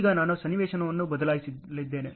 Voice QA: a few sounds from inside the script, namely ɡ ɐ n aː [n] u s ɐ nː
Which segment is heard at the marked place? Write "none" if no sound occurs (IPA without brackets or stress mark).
n